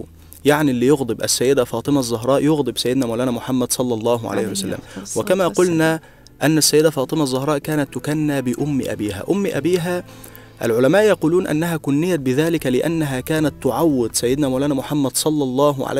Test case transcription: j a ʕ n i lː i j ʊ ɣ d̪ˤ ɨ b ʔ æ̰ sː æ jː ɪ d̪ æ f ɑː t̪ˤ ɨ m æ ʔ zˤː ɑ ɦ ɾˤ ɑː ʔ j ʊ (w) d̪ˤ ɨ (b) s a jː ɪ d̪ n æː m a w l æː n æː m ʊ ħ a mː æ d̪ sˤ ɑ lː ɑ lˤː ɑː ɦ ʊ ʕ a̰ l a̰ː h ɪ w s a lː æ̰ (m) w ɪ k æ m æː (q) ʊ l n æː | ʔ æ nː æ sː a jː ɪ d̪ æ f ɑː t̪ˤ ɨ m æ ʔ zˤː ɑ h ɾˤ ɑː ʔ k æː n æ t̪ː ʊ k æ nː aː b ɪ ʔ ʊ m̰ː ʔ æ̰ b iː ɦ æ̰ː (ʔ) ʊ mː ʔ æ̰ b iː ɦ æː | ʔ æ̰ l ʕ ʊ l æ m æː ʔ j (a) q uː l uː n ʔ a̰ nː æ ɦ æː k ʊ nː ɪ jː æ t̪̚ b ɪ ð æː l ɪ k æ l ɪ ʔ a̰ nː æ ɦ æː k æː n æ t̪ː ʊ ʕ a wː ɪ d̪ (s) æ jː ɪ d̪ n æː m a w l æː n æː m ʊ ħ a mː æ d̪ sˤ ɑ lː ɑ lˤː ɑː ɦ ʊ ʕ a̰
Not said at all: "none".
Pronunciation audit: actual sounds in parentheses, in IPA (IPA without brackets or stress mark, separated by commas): ɣ, b, m, q, ʔ, ɑ, s